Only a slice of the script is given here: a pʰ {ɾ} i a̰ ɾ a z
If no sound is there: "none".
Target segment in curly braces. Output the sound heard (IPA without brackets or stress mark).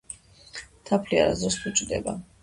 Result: l